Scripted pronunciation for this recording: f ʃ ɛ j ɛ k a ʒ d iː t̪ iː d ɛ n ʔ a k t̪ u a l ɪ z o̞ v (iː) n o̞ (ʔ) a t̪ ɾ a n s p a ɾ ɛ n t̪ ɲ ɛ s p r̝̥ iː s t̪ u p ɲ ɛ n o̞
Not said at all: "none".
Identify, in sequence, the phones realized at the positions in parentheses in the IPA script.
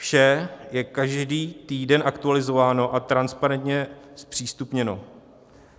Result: aː, ʔ

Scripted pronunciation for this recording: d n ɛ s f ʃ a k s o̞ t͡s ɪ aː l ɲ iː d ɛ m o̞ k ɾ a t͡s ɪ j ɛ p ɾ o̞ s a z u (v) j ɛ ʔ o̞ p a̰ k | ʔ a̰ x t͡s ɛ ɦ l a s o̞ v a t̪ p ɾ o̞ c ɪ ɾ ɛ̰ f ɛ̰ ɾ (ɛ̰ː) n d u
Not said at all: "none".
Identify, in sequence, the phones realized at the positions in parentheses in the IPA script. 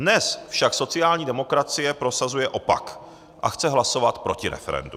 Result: none, ɛ̰

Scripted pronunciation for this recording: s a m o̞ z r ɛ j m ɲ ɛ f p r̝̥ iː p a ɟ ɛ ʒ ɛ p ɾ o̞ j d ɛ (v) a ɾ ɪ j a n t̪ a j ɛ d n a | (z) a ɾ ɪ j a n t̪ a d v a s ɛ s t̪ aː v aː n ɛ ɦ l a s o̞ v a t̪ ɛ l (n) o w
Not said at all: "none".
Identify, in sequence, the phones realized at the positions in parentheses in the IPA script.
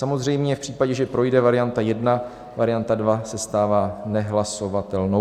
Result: v, v, n

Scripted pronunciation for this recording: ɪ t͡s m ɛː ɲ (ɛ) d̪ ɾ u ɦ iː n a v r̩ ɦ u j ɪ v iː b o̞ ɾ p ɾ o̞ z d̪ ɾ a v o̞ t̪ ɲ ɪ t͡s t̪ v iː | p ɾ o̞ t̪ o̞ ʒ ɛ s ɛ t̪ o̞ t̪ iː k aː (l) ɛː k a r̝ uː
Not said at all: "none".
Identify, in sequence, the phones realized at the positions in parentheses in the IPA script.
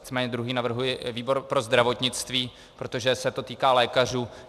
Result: ɛ, l

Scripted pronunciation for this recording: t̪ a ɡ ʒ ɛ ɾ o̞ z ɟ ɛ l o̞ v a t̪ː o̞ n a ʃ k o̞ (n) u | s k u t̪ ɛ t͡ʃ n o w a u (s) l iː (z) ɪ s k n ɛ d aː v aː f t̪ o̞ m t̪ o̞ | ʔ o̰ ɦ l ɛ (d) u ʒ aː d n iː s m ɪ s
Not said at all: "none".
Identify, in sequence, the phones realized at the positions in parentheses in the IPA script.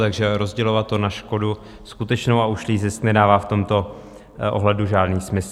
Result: d, ʃ, z, d

